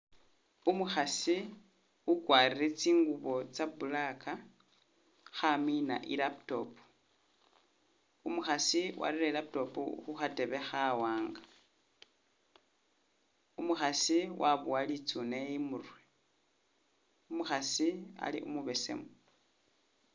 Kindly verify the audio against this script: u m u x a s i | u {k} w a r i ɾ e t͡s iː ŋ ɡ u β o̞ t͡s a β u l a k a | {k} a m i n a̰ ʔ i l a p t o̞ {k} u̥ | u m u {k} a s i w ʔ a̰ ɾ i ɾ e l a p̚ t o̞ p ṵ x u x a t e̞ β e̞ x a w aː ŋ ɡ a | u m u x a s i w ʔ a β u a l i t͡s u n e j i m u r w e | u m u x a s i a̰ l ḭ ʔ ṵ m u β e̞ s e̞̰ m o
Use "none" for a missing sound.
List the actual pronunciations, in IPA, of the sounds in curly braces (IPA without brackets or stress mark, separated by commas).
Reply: k, x, p, x